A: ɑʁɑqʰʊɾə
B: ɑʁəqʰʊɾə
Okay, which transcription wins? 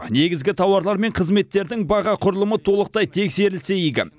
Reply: A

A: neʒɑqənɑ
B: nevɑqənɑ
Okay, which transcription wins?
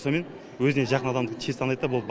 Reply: A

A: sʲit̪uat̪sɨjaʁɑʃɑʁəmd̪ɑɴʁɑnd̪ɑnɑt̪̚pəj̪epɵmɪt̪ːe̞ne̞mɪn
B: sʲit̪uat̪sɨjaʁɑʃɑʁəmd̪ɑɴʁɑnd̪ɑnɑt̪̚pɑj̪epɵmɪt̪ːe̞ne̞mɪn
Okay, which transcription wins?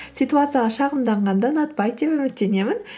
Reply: B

